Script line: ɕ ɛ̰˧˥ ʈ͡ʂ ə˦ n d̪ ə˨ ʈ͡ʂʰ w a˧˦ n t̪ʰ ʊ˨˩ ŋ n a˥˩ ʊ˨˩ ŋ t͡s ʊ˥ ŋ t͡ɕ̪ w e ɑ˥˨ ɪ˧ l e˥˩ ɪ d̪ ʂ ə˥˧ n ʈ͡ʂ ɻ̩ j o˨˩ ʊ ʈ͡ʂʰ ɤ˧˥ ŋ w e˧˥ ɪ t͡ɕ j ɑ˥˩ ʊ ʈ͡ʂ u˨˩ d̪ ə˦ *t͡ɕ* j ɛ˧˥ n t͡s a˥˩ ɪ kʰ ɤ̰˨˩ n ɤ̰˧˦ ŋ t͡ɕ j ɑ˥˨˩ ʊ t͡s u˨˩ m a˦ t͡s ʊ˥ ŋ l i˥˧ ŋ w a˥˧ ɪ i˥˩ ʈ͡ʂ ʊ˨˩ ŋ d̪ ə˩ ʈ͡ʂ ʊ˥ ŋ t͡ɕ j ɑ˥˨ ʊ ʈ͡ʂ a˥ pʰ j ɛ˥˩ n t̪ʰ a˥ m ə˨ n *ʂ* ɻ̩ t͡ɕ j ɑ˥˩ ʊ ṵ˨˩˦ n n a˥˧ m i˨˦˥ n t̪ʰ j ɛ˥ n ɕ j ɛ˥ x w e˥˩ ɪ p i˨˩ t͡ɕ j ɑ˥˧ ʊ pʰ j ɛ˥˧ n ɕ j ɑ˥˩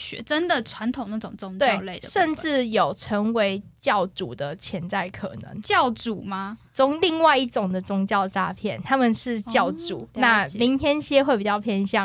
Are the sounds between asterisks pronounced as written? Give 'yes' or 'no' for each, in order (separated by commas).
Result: no, yes